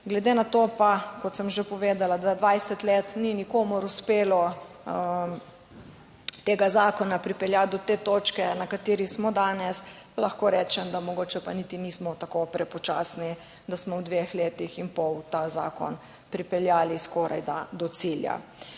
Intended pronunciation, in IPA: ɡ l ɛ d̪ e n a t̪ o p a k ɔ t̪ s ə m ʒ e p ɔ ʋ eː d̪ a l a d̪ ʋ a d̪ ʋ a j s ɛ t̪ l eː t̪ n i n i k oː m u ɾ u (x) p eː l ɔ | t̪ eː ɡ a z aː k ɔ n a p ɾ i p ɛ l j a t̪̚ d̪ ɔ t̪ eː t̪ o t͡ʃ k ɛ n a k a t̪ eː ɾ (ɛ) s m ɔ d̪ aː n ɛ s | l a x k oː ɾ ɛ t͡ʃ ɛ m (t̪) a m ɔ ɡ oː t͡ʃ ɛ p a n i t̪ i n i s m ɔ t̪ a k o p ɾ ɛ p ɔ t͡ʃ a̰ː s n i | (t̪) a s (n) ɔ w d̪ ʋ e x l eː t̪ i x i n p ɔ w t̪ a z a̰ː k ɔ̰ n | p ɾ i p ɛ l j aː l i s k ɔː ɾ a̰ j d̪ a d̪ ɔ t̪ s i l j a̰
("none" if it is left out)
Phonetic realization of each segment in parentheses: s, i, d̪, d̪, m

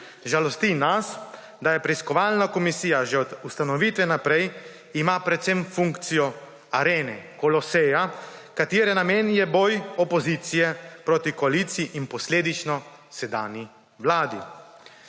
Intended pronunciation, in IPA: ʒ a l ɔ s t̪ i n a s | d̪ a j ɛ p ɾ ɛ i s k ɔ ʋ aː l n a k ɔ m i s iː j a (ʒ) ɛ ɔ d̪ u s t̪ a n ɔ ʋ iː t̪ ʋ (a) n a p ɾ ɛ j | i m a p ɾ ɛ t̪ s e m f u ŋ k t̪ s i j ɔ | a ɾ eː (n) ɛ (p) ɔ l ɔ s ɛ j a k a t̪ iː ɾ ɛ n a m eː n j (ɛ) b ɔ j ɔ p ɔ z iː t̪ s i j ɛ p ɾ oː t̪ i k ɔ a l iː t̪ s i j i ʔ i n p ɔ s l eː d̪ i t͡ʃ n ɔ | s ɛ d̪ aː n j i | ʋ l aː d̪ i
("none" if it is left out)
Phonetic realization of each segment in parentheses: ʒ, ɛ, n, k, ɛ

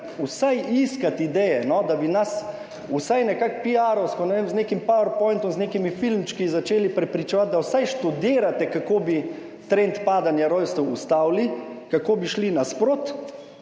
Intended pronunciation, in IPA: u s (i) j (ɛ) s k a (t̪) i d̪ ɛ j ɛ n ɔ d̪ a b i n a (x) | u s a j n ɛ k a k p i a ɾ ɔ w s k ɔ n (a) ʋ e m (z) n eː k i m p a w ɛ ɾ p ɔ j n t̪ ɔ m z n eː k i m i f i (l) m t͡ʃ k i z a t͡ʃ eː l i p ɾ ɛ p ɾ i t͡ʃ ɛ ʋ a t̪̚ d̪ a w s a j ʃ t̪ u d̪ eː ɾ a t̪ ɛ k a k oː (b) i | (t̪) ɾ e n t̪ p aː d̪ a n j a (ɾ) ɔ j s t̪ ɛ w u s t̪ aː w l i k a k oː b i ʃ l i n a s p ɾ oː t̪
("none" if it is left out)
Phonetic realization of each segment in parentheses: a, i, t̪, s, ɛ, z, l, b, t̪, ɾ

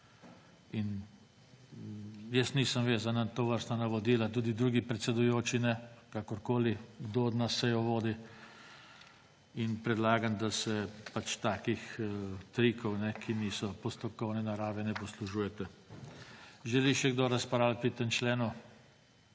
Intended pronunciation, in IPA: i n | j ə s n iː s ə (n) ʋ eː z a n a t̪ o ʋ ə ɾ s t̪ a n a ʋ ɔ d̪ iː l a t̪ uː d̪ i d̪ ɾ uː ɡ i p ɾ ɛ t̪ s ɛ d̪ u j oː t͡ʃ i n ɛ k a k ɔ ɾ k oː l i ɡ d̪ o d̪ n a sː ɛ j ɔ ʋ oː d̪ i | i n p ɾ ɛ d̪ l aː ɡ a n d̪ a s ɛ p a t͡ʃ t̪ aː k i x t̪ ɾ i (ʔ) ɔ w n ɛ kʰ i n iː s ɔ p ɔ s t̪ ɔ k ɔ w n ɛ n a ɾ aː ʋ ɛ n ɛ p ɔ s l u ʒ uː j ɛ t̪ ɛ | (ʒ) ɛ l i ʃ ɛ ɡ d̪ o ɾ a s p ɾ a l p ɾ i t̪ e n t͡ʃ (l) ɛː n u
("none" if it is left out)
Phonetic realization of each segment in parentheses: m, k, ʒ, l

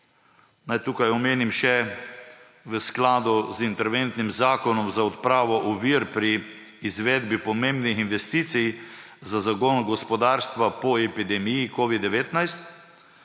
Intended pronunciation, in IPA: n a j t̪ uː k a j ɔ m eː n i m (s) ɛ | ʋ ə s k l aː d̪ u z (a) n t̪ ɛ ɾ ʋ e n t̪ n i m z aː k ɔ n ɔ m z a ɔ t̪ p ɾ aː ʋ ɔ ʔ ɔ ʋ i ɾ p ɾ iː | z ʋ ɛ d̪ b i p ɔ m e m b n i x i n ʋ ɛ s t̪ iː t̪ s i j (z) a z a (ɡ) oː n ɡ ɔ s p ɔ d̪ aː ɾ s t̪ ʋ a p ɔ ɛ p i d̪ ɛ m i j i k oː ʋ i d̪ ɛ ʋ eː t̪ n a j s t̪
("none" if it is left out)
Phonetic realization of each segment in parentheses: ʃ, i, z, ɡ

